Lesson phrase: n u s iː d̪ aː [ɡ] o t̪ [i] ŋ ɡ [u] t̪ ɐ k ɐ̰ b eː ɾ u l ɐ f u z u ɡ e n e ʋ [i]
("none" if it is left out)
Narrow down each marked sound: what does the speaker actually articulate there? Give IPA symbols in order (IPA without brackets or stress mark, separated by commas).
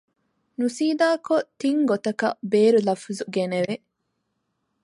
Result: k, i, o, e